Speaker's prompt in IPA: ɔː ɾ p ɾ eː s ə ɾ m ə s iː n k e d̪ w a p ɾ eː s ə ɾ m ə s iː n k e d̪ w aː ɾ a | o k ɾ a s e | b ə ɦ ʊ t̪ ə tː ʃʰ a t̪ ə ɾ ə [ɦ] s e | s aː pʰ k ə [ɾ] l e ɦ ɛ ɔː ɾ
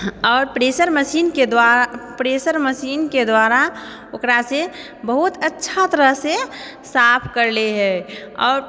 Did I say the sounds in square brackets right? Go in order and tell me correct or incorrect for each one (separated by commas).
correct, correct